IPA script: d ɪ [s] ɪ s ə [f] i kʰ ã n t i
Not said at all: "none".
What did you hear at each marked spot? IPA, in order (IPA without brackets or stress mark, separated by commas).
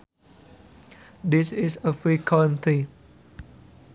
s, f